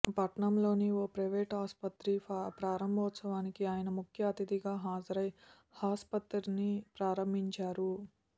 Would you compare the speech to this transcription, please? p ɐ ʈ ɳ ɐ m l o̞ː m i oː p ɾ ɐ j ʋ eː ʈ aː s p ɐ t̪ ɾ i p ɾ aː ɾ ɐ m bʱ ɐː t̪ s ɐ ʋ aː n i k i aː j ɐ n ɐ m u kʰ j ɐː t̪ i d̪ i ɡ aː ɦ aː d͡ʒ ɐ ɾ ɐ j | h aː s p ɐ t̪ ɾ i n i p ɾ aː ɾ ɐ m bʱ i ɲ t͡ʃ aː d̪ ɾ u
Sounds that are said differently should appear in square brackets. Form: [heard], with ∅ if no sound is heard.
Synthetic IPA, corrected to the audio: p ɐ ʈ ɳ ɐ m l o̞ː [n] i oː p ɾ ɐ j ʋ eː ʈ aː s p ɐ t̪ ɾ i p ɾ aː ɾ ɐ m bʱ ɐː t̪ s ɐ ʋ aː n i k i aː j ɐ n ɐ m u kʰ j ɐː t̪ i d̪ i ɡ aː ɦ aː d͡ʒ ɐ ɾ ɐ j | h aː s p ɐ t̪ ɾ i n i p ɾ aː ɾ ɐ m bʱ i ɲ t͡ʃ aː [∅] ɾ u